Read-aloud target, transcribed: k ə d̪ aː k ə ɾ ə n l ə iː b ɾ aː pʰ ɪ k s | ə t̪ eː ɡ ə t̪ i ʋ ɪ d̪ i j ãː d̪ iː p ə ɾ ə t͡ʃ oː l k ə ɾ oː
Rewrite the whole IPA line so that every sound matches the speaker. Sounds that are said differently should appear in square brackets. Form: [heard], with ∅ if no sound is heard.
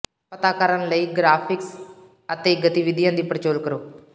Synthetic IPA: [p] ə [t̪] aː k ə ɾ ə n l ə iː [ɡ] ɾ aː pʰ ɪ k s | ə t̪ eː ɡ ə t̪ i ʋ ɪ d̪ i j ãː d̪ iː p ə ɾ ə t͡ʃ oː l k ə ɾ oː